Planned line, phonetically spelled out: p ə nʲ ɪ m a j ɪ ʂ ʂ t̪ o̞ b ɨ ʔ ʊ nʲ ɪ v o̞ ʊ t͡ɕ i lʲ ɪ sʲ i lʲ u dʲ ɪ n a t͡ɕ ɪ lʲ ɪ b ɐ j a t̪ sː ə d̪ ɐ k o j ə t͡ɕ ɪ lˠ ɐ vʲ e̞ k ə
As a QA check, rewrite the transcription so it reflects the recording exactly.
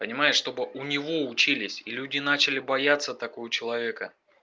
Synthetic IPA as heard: p ə nʲ ɪ m a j ɪ ʂ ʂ t̪ o̞ b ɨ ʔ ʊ nʲ ɪ v o̞ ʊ t͡ɕ i lʲ ɪ sʲ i lʲ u dʲ ɪ n a t͡ɕ ɪ lʲ ɪ b ɐ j a t̪ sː ə t̪ ɐ k o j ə t͡ɕ ɪ lˠ ɐ vʲ e̞ k ə

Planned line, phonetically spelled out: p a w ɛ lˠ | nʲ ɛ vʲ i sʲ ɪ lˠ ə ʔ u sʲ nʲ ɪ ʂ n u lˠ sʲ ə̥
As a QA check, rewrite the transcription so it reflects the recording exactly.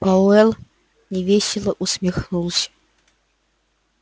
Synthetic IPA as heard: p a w ɛ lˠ | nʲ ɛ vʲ e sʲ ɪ lˠ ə ʔ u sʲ mʲ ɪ x n u lˠ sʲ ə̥

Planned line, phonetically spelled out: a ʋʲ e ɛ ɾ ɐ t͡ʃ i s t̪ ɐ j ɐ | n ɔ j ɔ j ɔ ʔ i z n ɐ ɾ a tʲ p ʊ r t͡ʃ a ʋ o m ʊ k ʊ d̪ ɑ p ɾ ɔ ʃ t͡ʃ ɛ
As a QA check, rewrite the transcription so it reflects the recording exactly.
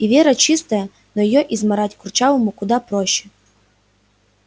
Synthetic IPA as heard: i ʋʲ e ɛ ɾ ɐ t͡ʃ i s t̪ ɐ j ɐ | n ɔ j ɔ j ɔ ʔ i z m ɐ ɾ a tʲ k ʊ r t͡ʃ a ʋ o m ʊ k ʊ d̪ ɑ p ɾ ɔ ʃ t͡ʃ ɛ

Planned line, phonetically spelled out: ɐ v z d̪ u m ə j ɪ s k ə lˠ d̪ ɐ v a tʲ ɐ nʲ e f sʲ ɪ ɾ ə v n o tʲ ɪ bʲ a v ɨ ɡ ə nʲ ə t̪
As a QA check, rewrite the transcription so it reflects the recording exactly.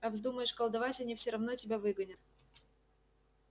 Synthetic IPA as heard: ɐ v z d̪ u m ə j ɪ ʂ k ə lˠ d̪ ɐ v a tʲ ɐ nʲ i f sʲ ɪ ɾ ɐ v n o tʲ ɪ bʲ a v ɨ ɡ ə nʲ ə t̪

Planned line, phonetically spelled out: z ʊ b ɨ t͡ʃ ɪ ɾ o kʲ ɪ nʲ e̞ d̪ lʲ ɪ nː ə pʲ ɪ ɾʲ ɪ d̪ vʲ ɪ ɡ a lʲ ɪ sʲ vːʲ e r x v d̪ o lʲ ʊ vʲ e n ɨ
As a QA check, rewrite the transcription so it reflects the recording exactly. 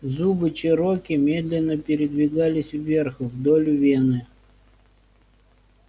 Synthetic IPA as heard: z u b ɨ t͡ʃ ɪ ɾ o kʲ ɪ mʲ e̞ d̪ lʲ ɪ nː ə pʲ ɪ ɾʲ ɪ d̪ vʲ ɪ ɡ a lʲ ɪ sʲ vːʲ e r x v d̪ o lʲ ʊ vʲ e n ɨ

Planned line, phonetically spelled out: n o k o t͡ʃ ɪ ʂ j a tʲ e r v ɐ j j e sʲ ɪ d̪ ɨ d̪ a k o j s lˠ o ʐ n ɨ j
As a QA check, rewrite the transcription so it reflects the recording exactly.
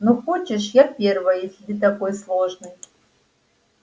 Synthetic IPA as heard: n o x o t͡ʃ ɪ ʂ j a pʲ e r v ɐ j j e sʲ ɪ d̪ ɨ t̪ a k o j s lˠ o ʐ n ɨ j

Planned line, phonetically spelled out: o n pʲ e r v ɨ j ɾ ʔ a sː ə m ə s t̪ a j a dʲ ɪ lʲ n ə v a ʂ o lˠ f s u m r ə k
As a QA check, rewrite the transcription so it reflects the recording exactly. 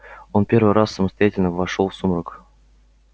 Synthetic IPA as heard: o n pʲ e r v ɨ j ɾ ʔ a sː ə m ə s t̪ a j a tʲ ɪ lʲ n ə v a ʂ o lˠ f s u m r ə k

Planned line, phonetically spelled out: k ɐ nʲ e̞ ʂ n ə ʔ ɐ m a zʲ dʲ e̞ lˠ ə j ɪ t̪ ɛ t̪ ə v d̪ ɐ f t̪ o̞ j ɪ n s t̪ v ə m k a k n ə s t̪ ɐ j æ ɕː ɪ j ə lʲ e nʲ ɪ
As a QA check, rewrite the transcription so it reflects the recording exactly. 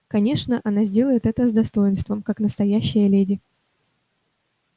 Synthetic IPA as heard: k ɐ nʲ e̞ ʂ n ə ʔ ɐ n a zʲ dʲ e̞ lˠ ə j ɪ t̪ ɛ t̪ ə z d̪ ɐ s t̪ o̞ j ɪ n s t̪ v ə m k a k n ə s t̪ ɐ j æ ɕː ɪ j ə lʲ e dʲ ɪ

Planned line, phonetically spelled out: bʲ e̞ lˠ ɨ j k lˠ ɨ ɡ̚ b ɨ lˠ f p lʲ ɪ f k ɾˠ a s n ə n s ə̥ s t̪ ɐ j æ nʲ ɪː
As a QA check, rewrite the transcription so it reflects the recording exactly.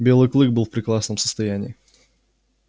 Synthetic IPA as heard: bʲ e̞ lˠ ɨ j k lˠ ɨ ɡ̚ b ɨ lˠ f p ɾʲ ɪ k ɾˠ a s n ə m s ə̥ s t̪ ɐ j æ nʲ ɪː

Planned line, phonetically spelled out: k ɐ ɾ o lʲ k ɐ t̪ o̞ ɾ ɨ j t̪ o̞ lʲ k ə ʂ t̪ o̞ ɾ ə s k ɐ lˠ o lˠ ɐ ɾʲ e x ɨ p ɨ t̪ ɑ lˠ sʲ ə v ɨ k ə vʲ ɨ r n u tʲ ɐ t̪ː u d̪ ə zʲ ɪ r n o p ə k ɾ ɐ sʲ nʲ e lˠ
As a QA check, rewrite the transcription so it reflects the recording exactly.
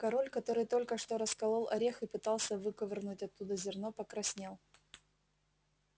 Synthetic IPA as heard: k ɐ ɾ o lʲ k ɐ t̪ o̞ ɾ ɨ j t̪ o̞ lʲ k ə ʂ t̪ o̞ ɾ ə s k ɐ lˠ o lˠ ɐ ɾʲ e x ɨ p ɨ t̪ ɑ lˠ sʲ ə v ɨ k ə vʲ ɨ r n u tʲ ɐ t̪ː u d̪ ə zʲ ɪ r n o p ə k ɾ ɐ sʲ nʲ e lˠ

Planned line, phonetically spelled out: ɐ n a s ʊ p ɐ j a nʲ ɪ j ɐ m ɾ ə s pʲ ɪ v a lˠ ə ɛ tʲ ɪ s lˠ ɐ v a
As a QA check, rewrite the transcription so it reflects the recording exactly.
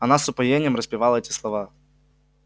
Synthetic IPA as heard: ɐ n a s ʊ p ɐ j e nʲ ɪ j ə m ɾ ə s pʲ ɪ v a lˠ ə ɛ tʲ ɪ s lˠ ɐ v a

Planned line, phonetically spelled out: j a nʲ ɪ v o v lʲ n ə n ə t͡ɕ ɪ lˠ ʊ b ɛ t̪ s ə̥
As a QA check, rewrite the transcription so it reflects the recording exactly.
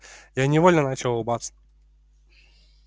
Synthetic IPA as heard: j a nʲ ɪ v o lʲ n ə n a t͡ɕ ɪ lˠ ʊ b a t̪ s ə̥

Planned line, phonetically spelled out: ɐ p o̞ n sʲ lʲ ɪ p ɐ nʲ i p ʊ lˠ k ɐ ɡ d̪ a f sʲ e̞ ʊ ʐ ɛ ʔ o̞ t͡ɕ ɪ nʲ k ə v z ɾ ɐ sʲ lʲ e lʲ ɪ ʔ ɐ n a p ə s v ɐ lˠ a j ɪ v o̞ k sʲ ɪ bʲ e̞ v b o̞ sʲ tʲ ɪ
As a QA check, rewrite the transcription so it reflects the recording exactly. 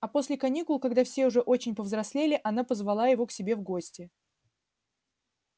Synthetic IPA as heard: ɐ p o̞ sʲ lʲ ɪ k ɐ nʲ i k ʊ lˠ k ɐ ɡ d̪ a f sʲ e̞ ʊ ʐ ɛ ʔ o̞ t͡ɕ ɪ nʲ p ə v z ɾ ɐ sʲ lʲ e lʲ ɪ ʔ ɐ n a p ə z v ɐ lˠ a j ɪ v o̞ k sʲ ɪ bʲ e̞ v ɡ o̞ sʲ tʲ ɪ

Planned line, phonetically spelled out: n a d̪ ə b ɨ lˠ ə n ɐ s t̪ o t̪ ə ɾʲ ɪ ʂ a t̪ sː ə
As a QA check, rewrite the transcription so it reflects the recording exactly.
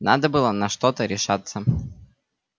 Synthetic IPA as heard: n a d̪ ə b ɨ lˠ ə n ɐ ʂ t̪ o t̪ ə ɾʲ ɪ ʂ a t̪ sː ə

